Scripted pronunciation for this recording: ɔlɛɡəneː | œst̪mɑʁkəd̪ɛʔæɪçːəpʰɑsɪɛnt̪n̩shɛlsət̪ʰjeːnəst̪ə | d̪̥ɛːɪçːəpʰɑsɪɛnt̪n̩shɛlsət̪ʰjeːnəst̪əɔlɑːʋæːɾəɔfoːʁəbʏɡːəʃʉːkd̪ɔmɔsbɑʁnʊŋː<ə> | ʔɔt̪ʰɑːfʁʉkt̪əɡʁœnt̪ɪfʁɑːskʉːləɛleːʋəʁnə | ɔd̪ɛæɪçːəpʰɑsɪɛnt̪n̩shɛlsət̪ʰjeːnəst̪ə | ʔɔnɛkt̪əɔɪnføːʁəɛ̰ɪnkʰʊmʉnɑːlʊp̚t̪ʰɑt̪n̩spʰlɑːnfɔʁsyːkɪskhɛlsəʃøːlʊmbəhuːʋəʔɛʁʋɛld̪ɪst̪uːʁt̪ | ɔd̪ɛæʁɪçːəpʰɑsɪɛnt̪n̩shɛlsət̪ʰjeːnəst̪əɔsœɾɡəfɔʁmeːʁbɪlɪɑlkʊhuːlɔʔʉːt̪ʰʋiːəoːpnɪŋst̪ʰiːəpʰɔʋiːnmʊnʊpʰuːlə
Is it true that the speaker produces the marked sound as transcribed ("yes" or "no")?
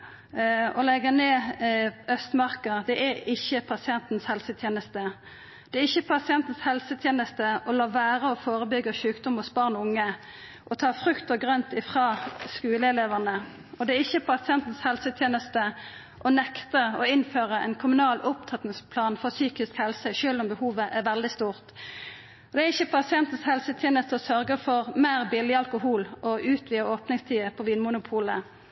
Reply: yes